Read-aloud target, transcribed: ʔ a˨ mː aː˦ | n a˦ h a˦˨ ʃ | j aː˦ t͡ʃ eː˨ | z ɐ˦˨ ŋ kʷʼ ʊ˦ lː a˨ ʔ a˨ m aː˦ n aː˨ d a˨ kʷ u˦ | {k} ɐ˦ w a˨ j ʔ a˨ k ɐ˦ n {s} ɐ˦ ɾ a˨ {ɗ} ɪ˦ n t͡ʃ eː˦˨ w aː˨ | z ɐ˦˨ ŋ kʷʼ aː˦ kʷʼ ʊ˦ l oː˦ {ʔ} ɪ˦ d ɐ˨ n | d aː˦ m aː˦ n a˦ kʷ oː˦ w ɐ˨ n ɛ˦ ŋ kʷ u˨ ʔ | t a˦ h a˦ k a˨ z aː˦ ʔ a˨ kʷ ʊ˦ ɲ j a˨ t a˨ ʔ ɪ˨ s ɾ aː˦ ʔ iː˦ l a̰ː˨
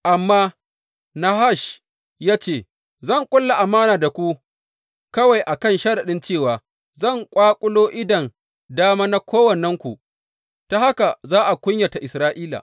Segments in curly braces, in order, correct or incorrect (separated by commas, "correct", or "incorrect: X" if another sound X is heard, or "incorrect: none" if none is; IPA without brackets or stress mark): correct, incorrect: ʃ, correct, correct